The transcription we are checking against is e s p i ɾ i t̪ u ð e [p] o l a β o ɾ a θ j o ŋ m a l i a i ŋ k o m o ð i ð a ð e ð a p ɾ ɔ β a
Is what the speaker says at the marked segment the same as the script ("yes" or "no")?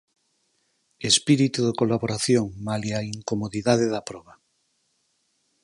no